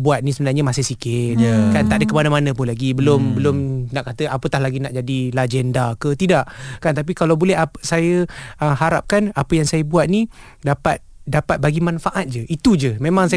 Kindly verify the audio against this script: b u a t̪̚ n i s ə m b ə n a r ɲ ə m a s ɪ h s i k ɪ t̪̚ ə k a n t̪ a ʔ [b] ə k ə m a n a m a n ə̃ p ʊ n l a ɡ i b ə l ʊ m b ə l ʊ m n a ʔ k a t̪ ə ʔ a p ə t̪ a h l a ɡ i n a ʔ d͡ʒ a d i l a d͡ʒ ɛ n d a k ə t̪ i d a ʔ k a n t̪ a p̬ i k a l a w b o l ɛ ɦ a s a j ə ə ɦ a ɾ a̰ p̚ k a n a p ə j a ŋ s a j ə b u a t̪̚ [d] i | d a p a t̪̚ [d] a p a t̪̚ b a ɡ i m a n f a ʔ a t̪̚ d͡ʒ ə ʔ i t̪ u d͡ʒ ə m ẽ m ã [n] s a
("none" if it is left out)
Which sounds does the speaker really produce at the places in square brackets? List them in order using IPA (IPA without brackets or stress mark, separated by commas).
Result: d, n, d, ŋ